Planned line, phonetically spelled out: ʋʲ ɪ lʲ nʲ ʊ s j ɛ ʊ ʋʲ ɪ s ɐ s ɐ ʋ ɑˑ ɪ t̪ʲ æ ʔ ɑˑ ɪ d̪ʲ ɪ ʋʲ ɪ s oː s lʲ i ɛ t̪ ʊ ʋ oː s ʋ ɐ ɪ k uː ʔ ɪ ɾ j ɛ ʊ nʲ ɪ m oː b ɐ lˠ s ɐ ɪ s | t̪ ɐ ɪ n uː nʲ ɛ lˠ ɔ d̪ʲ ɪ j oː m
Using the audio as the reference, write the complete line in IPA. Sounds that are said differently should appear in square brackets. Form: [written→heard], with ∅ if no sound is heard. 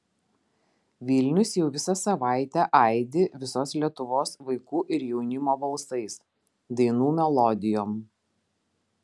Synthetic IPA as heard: ʋʲ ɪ lʲ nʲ ʊ s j ɛ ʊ ʋʲ ɪ s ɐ s ɐ ʋ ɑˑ ɪ t̪ʲ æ ʔ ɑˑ ɪ d̪ʲ ɪ ʋʲ ɪ s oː s lʲ i ɛ t̪ ʊ ʋ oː s ʋ ɐ ɪ k uː ʔ ɪ ɾ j ɛ ʊ nʲ ɪ m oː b ɐ lˠ s ɐ ɪ s | [t̪→d̪] ɐ ɪ n uː [nʲ→mʲ] ɛ lˠ ɔ d̪ʲ ɪ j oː m